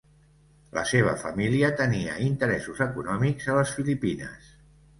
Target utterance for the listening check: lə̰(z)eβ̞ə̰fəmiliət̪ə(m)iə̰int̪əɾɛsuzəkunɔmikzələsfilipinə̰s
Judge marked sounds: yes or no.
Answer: no, no

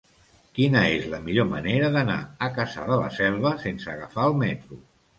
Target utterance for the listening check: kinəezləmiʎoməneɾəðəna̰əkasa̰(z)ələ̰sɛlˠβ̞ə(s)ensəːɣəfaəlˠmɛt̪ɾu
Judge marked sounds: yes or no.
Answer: no, yes

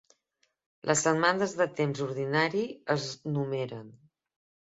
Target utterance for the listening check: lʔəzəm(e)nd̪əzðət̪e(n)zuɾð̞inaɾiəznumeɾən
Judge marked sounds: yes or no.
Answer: no, no

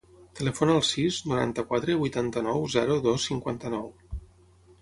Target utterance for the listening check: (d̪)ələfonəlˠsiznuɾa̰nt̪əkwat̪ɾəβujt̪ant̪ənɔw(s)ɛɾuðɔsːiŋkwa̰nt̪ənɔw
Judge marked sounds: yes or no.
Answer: no, no

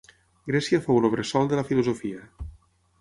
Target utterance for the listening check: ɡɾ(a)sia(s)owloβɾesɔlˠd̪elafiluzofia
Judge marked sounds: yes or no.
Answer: no, no

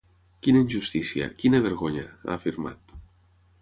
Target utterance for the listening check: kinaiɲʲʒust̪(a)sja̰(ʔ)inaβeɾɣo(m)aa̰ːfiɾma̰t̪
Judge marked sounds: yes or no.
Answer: no, no, no

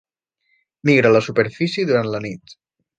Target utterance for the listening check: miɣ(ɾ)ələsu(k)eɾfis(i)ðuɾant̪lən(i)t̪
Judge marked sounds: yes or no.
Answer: yes, no, yes, yes

